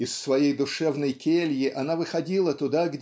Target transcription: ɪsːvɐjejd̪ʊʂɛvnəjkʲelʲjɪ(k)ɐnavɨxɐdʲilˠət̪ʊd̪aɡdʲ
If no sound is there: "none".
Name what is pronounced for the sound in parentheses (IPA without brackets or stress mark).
ʔ